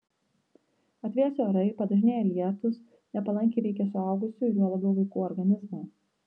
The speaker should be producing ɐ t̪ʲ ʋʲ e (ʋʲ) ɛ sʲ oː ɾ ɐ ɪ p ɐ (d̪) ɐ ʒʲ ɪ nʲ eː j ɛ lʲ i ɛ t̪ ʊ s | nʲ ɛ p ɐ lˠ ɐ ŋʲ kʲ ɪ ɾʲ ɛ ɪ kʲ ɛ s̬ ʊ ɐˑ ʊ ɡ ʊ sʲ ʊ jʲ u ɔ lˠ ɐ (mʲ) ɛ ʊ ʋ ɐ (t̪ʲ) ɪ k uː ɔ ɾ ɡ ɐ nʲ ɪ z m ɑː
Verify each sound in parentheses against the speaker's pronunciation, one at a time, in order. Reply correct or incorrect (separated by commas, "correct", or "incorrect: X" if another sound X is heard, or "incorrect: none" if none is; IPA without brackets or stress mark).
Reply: incorrect: none, correct, incorrect: bʲ, incorrect: none